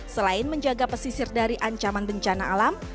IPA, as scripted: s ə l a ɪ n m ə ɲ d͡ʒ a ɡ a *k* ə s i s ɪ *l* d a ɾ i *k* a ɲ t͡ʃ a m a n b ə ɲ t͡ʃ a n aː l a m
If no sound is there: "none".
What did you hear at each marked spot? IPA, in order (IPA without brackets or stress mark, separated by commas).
p, r, ʔ